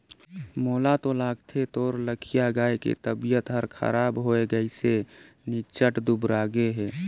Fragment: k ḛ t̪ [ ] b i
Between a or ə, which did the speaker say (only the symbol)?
ə